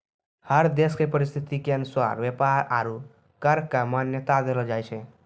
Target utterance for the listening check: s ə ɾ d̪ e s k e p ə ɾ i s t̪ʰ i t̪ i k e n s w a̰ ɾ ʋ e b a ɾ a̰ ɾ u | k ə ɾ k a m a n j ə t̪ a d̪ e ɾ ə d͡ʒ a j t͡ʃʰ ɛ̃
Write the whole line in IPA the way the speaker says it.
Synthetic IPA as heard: h ə ɾ d̪ e s k e p ə ɾ i s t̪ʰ i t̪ i k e n s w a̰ ɾ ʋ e p a ɾ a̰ ɾ u | k ə ɾ k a m a n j ə t̪ a d̪ e l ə d͡ʒ a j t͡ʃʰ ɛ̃